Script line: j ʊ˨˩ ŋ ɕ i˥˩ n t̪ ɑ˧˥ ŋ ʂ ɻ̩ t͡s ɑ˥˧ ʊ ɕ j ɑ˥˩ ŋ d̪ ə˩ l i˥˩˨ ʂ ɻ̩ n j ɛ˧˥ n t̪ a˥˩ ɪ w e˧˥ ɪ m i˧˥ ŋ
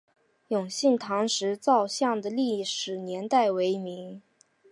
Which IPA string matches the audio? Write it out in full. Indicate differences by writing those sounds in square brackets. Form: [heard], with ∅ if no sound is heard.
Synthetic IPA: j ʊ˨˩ ŋ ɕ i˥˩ n [t̪ʰ] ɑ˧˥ ŋ ʂ ɻ̩ t͡s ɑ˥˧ ʊ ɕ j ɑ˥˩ ŋ d̪ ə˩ l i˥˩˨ ʂ ɻ̩ n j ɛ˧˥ n t̪ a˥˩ ɪ w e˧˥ ɪ m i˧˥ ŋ